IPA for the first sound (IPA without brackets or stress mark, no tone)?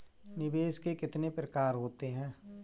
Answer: n